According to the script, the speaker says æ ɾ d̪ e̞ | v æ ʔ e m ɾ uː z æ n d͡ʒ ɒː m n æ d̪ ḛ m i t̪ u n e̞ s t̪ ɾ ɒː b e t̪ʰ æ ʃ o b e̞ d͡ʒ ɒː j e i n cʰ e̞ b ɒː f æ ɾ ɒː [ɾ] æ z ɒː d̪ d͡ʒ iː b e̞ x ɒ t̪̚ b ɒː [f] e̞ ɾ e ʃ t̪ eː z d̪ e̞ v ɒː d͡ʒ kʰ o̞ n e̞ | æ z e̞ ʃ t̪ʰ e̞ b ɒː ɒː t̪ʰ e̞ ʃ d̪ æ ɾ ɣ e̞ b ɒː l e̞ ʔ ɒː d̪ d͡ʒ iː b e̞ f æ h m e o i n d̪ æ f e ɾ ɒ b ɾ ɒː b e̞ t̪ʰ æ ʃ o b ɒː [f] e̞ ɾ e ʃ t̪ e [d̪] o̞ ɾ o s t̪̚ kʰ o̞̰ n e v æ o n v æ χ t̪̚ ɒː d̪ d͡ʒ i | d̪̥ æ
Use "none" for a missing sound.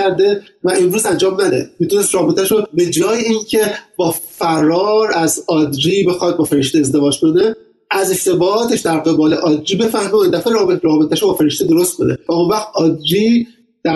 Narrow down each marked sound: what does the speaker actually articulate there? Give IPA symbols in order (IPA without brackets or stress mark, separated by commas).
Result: ɾ, f, f, d̪